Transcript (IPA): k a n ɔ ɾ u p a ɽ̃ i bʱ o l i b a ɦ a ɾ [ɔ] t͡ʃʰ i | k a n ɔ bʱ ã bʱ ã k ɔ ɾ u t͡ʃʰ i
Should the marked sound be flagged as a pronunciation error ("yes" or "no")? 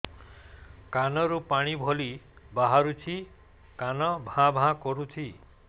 yes